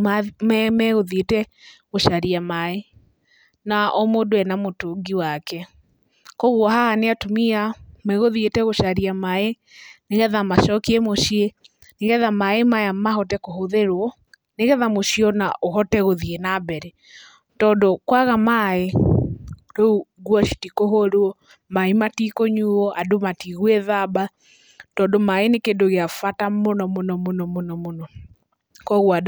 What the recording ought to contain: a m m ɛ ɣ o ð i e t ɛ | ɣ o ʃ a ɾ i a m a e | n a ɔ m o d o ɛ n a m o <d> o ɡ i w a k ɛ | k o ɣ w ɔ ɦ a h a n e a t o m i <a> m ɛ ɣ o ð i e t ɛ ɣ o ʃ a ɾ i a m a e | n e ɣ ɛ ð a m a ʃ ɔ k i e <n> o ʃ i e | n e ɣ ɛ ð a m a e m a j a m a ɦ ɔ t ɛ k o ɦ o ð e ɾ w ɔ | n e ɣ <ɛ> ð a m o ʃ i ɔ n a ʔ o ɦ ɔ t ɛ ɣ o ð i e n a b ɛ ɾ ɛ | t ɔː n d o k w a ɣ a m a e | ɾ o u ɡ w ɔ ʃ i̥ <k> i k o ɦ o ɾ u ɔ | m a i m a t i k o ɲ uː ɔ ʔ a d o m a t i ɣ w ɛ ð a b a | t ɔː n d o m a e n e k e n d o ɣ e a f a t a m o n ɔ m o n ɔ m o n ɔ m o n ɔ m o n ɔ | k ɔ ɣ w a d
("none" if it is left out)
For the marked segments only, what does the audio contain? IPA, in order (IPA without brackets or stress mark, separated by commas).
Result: t, a, m, ɛ, t